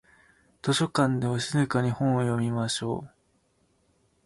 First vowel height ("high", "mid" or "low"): mid